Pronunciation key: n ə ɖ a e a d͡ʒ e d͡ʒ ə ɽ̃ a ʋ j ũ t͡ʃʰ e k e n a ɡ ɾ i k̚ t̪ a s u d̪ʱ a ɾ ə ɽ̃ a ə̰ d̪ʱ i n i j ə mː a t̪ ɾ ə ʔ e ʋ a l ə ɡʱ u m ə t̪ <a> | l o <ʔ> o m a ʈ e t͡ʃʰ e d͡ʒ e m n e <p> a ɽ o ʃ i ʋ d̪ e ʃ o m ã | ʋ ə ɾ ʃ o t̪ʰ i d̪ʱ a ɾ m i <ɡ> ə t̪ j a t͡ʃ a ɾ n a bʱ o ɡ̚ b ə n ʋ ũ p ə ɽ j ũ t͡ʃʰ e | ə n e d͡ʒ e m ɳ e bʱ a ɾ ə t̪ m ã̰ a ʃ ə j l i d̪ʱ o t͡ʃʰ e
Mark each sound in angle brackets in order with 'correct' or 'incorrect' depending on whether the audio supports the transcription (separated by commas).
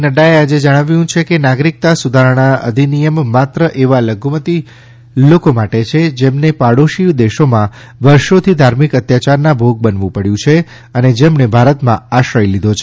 incorrect, incorrect, correct, incorrect